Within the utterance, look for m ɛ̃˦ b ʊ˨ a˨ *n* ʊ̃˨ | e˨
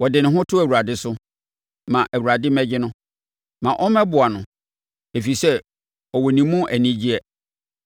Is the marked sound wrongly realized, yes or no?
no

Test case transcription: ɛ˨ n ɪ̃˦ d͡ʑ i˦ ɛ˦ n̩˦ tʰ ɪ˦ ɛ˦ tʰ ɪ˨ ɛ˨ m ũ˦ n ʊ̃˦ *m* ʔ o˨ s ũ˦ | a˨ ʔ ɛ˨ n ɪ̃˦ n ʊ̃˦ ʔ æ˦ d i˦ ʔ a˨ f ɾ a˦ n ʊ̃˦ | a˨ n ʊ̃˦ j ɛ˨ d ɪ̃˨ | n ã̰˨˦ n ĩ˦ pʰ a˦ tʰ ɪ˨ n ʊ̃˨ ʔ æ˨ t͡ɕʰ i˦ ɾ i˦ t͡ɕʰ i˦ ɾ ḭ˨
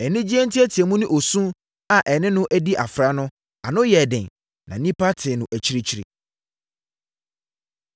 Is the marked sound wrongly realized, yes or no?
yes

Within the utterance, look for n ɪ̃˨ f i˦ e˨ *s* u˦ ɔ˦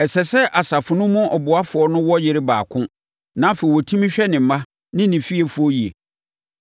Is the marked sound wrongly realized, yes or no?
yes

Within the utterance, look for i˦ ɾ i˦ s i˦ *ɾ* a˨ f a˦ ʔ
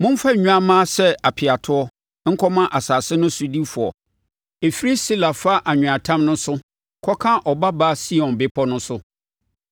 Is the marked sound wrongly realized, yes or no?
yes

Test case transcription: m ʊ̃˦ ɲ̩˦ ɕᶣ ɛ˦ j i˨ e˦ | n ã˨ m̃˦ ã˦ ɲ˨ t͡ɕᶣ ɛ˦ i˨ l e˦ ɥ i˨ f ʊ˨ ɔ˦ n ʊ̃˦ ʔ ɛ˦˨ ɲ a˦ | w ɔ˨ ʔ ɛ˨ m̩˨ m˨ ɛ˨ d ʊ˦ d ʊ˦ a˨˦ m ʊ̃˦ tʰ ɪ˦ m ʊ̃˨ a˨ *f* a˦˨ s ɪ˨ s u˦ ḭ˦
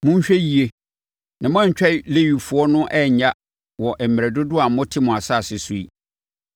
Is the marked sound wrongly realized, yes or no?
yes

